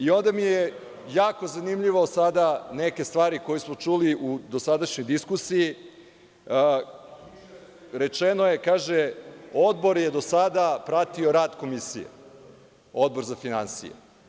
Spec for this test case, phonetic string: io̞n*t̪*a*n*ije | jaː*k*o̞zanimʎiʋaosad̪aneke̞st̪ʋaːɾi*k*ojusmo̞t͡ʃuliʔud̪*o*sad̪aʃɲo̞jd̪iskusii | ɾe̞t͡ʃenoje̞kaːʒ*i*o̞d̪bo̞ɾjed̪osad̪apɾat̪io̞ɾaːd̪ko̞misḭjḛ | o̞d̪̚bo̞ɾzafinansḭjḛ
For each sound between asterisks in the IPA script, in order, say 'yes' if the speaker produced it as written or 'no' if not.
no, no, yes, yes, yes, no

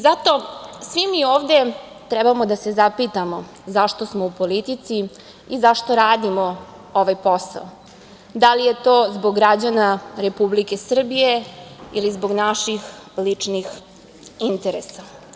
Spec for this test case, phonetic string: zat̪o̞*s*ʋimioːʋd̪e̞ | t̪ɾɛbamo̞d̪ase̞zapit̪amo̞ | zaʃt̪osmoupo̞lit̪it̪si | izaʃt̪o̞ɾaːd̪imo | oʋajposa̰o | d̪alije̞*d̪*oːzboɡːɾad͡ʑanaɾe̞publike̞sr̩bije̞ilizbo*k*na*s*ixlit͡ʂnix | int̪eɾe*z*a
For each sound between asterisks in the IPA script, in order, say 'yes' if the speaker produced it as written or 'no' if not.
yes, no, no, no, no

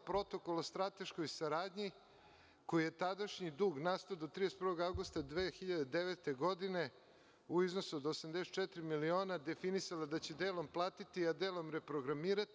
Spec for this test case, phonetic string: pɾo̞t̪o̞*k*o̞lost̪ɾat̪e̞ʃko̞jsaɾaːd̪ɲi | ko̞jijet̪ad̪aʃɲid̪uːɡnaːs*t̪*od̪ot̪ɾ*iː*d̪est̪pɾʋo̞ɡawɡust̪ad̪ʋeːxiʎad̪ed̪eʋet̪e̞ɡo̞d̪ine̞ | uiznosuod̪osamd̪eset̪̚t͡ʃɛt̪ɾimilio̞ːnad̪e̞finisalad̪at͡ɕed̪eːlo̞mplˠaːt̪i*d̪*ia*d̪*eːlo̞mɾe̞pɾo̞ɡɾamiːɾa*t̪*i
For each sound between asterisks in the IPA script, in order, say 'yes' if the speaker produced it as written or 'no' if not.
yes, yes, no, no, yes, yes

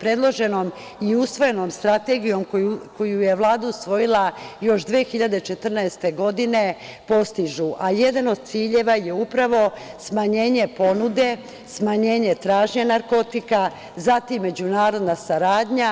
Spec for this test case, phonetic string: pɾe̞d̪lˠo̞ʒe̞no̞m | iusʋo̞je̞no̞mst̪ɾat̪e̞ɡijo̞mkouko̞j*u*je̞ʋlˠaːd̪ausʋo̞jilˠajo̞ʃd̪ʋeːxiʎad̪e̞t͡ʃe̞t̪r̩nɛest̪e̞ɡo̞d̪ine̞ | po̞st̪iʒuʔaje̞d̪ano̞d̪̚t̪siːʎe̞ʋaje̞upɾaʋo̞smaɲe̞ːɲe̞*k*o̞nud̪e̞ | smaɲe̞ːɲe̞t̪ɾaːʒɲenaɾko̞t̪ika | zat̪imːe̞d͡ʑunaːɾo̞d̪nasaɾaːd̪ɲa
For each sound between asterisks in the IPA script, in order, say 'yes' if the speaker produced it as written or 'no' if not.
yes, no

